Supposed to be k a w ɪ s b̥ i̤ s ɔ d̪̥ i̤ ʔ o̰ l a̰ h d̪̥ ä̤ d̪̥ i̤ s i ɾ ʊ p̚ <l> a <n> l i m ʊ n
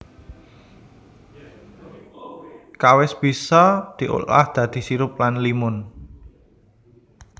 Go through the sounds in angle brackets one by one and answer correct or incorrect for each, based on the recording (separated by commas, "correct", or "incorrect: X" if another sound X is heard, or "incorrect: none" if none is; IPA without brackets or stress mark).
correct, correct